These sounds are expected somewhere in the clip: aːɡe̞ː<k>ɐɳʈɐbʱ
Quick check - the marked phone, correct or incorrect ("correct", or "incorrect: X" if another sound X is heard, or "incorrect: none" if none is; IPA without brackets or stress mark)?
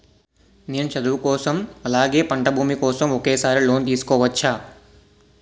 incorrect: p